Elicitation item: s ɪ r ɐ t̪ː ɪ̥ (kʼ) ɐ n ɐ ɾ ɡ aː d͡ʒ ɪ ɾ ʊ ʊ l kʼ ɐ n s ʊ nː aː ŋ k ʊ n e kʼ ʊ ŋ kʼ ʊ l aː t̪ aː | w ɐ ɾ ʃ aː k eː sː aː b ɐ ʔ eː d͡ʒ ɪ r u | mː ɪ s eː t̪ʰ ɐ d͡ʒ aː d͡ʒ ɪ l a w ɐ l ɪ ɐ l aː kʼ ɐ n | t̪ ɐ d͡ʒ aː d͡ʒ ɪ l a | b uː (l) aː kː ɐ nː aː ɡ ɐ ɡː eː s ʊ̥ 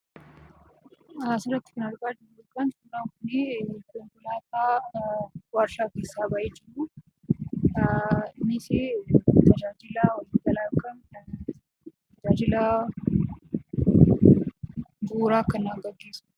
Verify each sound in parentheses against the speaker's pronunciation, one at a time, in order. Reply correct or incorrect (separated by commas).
incorrect, incorrect